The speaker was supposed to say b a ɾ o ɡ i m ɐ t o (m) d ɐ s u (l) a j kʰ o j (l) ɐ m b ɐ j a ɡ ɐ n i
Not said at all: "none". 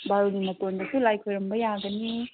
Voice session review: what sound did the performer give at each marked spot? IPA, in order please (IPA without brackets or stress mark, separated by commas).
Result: n, l, ɾ